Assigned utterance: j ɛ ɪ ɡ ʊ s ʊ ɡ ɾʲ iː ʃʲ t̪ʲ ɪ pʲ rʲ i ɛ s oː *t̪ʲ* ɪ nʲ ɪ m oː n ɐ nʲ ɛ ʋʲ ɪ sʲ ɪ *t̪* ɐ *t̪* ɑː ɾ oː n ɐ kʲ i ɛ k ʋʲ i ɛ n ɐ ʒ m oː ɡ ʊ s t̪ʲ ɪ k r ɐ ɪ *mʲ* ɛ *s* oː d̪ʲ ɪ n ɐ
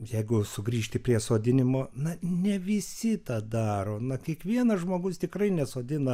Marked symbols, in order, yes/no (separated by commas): no, yes, no, no, yes